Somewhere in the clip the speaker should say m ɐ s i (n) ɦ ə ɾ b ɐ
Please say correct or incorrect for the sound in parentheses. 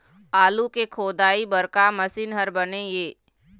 correct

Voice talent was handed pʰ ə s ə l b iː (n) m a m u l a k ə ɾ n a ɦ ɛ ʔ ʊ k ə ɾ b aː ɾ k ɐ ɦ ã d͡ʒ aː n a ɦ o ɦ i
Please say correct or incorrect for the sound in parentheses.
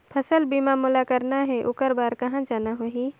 incorrect: none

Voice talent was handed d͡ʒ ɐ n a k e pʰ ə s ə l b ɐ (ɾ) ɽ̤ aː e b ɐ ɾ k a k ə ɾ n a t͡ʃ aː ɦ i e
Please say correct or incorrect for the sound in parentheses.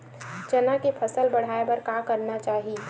incorrect: none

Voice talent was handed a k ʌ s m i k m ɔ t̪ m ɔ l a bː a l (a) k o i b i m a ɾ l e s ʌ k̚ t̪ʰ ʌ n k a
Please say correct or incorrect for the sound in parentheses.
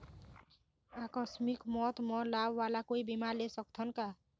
correct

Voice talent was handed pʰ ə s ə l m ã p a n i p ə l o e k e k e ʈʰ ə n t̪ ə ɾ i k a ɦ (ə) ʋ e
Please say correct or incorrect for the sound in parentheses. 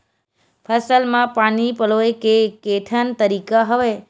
correct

